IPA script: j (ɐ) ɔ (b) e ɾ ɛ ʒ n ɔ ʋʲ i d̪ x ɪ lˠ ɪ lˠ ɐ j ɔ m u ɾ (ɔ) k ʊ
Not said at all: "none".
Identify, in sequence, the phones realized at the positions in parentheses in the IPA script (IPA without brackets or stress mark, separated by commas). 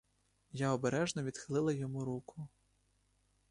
a, b, u